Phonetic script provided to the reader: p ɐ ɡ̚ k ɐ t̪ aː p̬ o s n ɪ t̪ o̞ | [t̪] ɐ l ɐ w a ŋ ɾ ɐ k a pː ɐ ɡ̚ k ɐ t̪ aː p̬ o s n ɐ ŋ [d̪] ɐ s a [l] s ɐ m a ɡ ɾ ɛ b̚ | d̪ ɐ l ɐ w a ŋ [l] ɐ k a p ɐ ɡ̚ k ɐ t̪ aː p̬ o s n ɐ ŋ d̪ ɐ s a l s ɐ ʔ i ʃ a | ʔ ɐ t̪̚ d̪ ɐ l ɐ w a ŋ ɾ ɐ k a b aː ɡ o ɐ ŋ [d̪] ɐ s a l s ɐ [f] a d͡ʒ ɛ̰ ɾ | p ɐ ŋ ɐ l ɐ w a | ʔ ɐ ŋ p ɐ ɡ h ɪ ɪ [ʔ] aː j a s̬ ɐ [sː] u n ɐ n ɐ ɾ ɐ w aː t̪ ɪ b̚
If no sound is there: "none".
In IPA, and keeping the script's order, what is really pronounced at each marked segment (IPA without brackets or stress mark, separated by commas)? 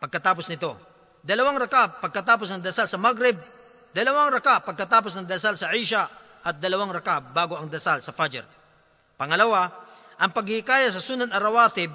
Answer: d̪, d̪, l, ɾ, d̪, f, k, s